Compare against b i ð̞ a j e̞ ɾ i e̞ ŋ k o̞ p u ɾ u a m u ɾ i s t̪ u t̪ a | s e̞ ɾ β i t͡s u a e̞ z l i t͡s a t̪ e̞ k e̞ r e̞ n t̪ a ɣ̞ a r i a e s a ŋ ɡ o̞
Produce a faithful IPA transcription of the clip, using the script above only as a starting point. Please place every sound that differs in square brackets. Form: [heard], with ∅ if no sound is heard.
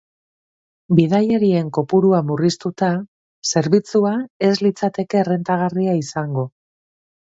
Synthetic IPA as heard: b i ð̞ a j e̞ ɾ i e̞ ŋ k o̞ p u ɾ u a m u [r] i s t̪ u t̪ a | s e̞ ɾ β i t͡s u a e̞ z l i t͡s a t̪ e̞ k e̞ r e̞ n t̪ a ɣ̞ a r i a [i] s a ŋ ɡ o̞